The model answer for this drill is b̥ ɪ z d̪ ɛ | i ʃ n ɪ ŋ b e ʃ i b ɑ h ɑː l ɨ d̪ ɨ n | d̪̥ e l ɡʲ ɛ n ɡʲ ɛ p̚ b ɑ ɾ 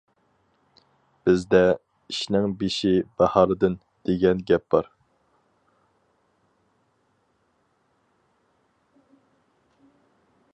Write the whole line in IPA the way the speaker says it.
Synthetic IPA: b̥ ɪ z d̪ ɛ | i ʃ n ɪ ŋ b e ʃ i b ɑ h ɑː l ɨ d̪ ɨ n | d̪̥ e ɡʲ ɛ n ɡʲ ɛ p̚ b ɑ ɾ